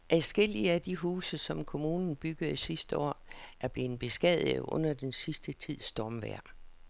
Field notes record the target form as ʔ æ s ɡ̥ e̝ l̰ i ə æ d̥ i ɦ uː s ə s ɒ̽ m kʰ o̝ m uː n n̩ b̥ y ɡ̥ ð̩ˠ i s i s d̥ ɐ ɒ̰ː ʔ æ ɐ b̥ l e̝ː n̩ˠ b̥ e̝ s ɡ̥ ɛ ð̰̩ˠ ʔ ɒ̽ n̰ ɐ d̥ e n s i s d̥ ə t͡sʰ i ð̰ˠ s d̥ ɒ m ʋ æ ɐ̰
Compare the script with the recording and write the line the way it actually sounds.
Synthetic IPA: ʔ æ s ɡ̥ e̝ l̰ i ə æ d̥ i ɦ uː s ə s ɒ̽ m kʰ o̝ m uː n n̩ b̥ y ɡ̥ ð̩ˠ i s i s d̥ ə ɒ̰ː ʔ æ ɐ b̥ l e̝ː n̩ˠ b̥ e̝ s ɡ̥ ɛ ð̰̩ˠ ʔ ɔ̽ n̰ ɐ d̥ e n s i s d̥ ə t͡sʰ i ð̰ˠ s d̥ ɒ m ʋ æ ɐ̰